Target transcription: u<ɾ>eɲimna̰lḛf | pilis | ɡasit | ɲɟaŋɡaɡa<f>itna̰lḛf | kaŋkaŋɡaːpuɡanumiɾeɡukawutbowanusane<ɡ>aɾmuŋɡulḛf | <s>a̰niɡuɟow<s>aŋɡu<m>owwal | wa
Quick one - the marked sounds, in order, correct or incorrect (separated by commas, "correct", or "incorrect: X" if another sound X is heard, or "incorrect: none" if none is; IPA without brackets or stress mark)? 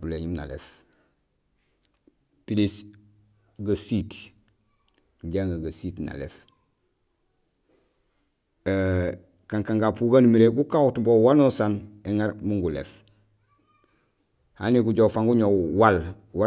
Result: incorrect: l, incorrect: s, incorrect: ŋ, incorrect: h, incorrect: f, incorrect: ɲ